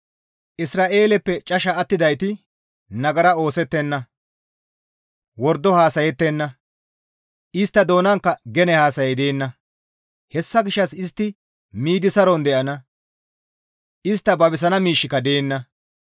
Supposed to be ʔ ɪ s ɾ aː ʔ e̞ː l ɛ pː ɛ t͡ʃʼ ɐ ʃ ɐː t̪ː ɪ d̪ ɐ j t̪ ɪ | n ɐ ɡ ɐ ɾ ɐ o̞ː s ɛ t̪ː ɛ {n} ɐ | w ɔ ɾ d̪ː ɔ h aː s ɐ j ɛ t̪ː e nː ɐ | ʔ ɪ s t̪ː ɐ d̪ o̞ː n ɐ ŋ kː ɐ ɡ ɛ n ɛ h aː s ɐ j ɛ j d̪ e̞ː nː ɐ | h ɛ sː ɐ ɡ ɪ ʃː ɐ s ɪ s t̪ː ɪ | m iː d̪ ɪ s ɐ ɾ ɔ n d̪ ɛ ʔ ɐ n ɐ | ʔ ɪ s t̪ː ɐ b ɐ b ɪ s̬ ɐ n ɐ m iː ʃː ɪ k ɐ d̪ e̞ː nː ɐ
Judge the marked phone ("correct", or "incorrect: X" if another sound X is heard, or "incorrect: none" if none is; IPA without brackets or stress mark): incorrect: nː